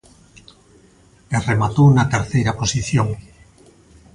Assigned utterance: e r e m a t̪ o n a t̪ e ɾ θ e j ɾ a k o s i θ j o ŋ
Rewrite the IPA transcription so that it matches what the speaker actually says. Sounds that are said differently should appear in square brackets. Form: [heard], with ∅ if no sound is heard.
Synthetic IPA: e r e m a t̪ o n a t̪ e ɾ θ e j ɾ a [p] o s i θ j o ŋ